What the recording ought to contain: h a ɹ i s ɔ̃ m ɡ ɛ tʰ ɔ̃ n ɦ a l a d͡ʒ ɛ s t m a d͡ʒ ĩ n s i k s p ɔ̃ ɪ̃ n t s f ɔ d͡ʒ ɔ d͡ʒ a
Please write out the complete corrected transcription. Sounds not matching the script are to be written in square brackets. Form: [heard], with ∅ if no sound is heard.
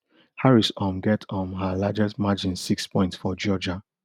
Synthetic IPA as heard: h a ɹ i s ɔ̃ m ɡ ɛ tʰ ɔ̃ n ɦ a l a d͡ʒ ɛ s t m a d͡ʒ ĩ n s i k s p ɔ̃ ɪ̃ n t s f ɔ d͡ʒ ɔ d͡ʒ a